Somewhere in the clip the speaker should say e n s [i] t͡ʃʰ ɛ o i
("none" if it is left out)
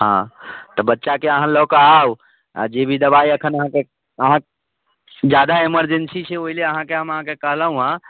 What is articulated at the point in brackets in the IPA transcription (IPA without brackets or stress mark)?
i